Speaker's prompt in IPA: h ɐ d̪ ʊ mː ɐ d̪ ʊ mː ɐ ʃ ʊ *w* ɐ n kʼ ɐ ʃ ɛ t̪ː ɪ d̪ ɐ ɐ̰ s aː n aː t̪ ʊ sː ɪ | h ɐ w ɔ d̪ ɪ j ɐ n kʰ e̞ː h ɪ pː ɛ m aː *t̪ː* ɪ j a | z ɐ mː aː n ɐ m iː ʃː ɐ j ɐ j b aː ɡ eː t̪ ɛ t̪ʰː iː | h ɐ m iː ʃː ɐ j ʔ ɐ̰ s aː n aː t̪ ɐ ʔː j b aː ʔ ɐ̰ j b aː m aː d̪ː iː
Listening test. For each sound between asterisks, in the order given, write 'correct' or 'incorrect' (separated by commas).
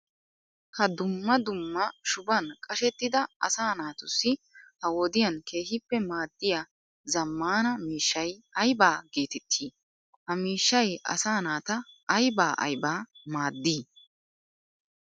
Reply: incorrect, incorrect